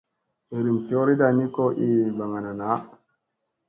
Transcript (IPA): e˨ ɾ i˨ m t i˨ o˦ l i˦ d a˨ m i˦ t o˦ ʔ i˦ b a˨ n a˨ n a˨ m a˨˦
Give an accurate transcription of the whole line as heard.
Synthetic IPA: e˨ ɾ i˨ m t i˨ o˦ ɾ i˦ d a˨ n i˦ k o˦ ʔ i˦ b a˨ ŋ a˨ n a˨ n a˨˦